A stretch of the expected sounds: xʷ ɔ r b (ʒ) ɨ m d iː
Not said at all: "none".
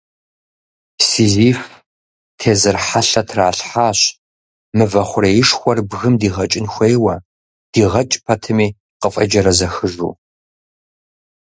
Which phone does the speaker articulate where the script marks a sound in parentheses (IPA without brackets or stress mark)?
ɣ